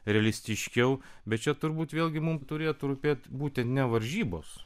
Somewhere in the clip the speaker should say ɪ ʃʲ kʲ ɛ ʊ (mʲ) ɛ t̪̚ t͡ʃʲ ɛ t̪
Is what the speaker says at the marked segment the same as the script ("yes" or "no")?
no